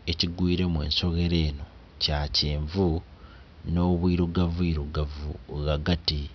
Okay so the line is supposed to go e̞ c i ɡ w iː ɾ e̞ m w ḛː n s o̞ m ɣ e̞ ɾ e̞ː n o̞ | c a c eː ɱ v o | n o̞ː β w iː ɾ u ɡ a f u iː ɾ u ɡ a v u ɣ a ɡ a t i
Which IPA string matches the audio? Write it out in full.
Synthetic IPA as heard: e̞ c i ɡ w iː ɾ e̞ m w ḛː n s o̞ ɣ e̞ ɾ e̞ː n o̞ | c a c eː ɱ v u | n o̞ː β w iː ɾ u ɡ a v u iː ɾ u ɡ a v u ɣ a ɡ a t i

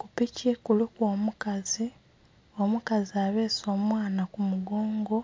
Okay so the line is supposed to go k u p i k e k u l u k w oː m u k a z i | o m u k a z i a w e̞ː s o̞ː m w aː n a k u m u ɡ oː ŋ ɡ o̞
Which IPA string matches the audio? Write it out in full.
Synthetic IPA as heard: k u p i c e k u l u k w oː m u k a z i | o m u k a z i a β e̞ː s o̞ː m w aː n a k u m u ɡ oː ŋ ɡ o̞

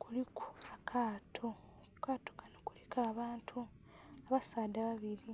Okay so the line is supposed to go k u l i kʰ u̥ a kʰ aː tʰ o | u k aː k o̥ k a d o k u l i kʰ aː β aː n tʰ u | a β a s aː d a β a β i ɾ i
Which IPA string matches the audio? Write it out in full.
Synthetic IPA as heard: k u l i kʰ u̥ a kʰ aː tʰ o | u k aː t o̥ k a n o k u l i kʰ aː β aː n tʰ u | a β a s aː d a β a β i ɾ i

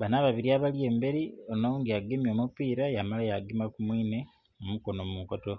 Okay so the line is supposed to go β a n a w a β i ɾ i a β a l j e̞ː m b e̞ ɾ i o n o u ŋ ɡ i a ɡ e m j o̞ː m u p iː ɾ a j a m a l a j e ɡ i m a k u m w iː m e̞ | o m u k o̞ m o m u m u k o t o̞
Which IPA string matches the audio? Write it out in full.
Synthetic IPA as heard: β a n a β a β i ɾ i a β a l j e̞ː m b e̞ ɾ i o n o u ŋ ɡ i a ɡ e m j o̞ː m u p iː ɾ a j a m a l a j a ɡ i m a k u m w iː n e̞ | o m u k o̞ n o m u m u k o t o̞

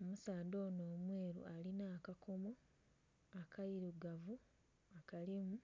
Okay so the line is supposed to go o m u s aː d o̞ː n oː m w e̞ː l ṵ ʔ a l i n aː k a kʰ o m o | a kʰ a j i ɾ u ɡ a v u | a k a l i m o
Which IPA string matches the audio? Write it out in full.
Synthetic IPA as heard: o m u s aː d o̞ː n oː m w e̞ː ɾ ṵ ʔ a l i n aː k a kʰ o m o | a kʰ a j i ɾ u ɡ a v u | a k a l i m u

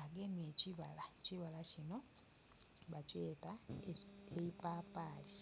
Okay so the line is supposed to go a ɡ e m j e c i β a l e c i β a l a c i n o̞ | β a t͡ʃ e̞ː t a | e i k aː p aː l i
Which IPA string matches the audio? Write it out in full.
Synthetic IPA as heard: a ɡ e m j e c i β a l a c i β a l a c i n o̞ | β a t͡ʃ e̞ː t a | e i p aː p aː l i

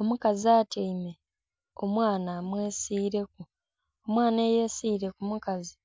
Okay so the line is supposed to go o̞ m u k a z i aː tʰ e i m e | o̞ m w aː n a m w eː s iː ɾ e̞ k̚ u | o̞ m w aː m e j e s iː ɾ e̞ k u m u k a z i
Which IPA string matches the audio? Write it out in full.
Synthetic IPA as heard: o̞ m u k a z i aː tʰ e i m e | o̞ m w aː n a m w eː s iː ɾ e̞ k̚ u | o̞ m w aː n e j e s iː ɾ e̞ k u m u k a z i

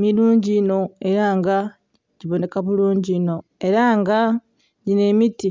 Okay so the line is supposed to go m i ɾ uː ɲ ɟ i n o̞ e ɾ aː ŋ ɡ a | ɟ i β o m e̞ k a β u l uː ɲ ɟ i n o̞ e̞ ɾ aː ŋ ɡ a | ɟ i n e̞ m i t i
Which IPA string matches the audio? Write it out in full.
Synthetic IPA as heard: m i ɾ uː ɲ ɟ i n o̞ e ɾ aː ŋ ɡ a | ɟ i β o n e̞ k a β u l uː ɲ ɟ i n o̞ e̞ ɾ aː ŋ ɡ a | ɟ i n e̞ m i t i

